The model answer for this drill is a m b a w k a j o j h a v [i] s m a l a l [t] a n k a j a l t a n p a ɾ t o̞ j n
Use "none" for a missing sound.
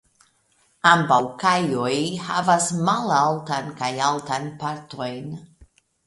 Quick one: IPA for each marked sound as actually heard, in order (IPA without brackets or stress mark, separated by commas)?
a, t